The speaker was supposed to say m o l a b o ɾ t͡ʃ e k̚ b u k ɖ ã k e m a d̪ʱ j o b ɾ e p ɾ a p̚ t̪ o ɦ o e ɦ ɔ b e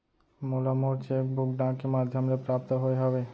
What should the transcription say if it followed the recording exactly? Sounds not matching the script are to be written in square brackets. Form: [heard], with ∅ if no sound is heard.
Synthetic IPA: m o l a [m] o ɾ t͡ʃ e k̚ b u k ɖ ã k e m a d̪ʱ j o [m] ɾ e p ɾ a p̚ t̪ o ɦ o e ɦ ɔ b e